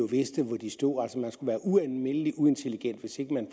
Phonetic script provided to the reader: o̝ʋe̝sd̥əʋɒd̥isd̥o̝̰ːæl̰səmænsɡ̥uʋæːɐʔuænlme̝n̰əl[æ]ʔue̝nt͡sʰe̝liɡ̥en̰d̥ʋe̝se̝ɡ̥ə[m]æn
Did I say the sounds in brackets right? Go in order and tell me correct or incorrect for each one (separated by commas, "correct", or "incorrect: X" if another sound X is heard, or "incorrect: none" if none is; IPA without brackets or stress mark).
incorrect: i, correct